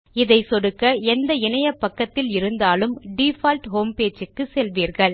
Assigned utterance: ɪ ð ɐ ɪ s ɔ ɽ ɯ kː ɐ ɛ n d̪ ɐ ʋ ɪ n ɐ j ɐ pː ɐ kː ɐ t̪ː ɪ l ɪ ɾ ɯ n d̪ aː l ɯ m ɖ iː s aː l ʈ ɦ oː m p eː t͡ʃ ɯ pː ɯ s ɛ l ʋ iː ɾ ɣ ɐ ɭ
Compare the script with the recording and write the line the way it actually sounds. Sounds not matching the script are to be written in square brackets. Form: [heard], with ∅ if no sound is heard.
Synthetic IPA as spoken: ɪ ð ɐ ɪ s ɔ ɽ ɯ kː ɐ ɛ n d̪ ɐ [∅] ɪ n ɐ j ɐ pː ɐ kː ɐ t̪ː ɪ l ɪ ɾ ɯ n d̪ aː l ɯ m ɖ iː [f] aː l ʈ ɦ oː m p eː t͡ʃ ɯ [kː] ɯ s ɛ l ʋ iː ɾ ɣ ɐ ɭ